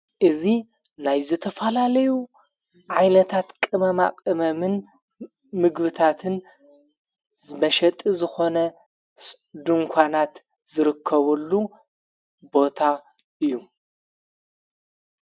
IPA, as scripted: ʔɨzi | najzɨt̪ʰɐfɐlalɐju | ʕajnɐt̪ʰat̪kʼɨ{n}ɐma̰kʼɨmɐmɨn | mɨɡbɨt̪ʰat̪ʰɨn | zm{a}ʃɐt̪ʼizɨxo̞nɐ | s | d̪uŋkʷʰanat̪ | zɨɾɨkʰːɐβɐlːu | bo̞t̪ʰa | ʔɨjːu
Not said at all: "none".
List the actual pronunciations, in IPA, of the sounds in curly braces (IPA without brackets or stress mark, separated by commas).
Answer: m, ɐ